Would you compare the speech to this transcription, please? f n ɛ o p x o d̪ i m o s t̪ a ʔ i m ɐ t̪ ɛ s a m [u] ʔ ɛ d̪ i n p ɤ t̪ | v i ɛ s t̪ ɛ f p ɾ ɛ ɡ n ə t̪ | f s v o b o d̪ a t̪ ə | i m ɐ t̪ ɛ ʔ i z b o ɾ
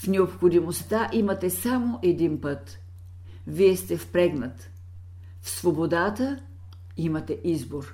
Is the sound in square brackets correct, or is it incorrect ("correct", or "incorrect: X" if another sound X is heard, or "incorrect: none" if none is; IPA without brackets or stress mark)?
incorrect: o